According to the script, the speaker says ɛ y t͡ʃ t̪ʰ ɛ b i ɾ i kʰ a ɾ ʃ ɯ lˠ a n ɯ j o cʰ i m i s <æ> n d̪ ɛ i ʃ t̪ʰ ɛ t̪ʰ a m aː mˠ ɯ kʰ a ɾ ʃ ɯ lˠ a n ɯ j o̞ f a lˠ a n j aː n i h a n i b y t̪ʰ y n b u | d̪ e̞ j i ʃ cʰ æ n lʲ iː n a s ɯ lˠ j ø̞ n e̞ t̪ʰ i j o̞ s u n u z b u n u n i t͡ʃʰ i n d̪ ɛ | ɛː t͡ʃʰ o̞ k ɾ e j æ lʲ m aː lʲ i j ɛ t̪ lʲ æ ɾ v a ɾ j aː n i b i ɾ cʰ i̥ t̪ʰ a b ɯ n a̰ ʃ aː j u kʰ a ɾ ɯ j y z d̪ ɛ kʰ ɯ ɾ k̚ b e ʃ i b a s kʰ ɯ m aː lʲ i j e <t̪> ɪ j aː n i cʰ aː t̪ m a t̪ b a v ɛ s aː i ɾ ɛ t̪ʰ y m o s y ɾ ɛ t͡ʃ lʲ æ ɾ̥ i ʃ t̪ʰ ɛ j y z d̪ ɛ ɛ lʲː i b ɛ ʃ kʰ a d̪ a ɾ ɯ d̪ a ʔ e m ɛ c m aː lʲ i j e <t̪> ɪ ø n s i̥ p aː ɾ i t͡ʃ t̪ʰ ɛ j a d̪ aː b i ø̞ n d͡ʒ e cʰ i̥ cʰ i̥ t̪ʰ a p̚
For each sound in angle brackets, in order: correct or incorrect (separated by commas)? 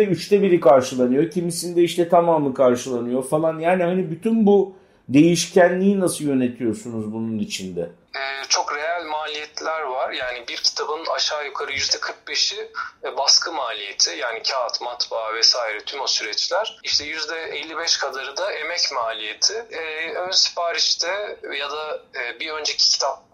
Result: incorrect, incorrect, incorrect